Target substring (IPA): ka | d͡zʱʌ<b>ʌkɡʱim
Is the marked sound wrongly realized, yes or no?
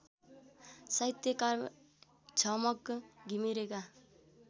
yes